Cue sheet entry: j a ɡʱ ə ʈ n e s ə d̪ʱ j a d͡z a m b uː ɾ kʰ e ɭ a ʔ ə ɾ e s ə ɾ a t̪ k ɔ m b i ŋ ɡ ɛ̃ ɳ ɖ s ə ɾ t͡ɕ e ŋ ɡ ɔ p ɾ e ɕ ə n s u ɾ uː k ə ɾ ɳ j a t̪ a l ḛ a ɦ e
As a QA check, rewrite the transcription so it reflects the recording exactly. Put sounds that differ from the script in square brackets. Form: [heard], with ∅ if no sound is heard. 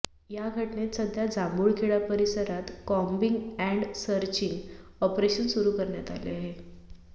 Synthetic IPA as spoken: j a ɡʱ ə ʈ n e s ə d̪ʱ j a d͡z a m b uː [ɭ] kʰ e ɭ a [p] ə ɾ [i] s ə ɾ a t̪ k ɔ m b i ŋ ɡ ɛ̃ ɳ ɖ s ə ɾ t͡ɕ [i] ŋ ɡ ɔ p ɾ e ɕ ə n s u ɾ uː k ə ɾ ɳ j a t̪ a l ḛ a ɦ e